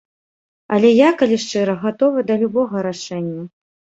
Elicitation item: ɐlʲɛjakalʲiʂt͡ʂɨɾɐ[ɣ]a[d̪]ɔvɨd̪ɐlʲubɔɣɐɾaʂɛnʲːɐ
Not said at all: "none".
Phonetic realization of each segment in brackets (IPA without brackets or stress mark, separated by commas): ɣ, t̪